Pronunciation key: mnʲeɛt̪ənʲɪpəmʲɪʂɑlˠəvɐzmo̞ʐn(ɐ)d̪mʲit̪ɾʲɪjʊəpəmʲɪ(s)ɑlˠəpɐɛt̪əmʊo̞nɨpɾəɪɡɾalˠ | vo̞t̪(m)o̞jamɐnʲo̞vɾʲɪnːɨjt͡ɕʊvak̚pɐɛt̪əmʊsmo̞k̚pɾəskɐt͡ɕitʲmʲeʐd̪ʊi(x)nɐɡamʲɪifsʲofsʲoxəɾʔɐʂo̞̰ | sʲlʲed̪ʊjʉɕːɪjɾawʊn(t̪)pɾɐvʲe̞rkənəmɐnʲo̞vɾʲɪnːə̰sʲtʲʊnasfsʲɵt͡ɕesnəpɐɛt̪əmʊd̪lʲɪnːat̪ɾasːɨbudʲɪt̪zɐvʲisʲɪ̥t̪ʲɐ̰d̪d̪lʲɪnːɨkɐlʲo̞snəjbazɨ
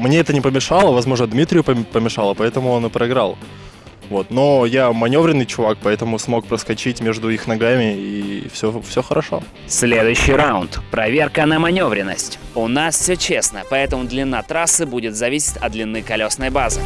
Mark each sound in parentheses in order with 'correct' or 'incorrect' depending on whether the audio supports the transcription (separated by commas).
incorrect, incorrect, incorrect, correct, correct